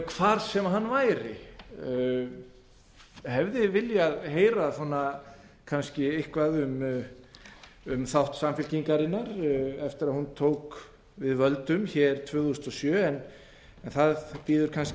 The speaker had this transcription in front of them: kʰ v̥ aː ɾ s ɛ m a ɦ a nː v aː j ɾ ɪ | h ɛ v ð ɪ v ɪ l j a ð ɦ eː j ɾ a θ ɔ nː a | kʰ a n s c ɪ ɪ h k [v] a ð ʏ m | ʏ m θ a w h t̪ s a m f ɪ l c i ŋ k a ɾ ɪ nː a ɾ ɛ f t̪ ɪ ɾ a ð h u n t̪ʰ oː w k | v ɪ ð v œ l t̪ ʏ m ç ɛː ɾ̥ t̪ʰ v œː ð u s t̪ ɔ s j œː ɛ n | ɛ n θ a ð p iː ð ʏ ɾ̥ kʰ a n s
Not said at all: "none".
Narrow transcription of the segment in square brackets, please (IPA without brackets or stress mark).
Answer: v